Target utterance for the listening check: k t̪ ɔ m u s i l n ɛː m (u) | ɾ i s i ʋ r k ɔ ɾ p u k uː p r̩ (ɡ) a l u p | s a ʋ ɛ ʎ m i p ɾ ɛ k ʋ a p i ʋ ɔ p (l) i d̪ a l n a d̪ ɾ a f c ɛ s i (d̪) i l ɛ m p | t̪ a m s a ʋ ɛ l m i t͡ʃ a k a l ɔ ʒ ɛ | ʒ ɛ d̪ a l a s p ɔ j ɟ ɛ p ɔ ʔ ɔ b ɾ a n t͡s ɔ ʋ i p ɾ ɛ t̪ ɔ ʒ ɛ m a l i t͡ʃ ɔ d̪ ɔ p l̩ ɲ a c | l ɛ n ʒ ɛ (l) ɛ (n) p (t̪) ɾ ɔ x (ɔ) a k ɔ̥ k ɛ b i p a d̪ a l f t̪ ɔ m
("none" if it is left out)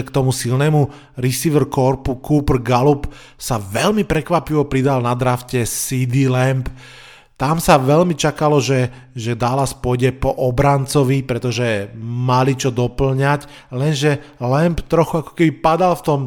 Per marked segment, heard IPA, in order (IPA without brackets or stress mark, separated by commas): u, ɡ, ɾ, d̪, l, m, t̪, u